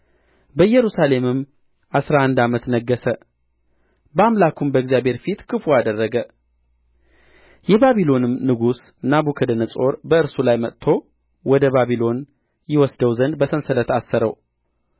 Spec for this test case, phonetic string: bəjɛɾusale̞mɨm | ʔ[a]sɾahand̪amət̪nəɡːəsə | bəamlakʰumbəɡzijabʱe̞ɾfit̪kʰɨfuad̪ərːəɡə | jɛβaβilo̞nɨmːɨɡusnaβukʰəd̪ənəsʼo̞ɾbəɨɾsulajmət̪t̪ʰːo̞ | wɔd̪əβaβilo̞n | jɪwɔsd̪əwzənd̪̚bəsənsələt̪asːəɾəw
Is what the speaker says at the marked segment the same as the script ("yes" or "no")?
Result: yes